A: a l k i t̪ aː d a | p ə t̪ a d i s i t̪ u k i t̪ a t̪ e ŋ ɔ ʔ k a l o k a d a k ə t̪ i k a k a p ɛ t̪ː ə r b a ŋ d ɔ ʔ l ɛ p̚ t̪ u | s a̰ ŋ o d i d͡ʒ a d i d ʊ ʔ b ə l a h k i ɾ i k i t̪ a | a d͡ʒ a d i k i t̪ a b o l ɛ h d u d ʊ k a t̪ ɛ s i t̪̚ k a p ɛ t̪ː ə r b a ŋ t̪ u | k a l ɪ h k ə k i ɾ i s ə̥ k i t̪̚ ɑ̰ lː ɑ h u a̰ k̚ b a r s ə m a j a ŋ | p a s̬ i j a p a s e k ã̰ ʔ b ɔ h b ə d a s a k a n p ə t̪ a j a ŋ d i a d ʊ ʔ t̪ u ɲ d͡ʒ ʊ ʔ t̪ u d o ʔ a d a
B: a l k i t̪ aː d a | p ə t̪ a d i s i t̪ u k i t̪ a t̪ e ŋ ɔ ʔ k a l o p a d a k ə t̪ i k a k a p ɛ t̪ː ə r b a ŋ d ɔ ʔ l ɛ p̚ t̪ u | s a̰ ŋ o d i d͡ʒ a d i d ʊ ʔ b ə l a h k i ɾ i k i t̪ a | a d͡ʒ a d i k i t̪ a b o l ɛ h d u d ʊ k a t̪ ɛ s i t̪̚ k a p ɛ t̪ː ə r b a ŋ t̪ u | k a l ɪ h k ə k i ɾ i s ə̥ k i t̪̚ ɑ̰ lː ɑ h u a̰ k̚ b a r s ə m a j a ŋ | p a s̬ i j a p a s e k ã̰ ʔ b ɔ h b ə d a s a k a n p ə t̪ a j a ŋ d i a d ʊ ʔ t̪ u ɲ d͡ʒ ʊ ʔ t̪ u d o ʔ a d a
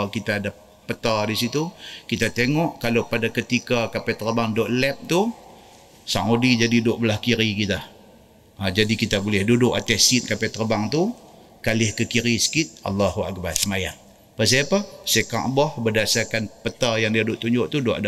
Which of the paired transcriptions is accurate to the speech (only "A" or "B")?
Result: B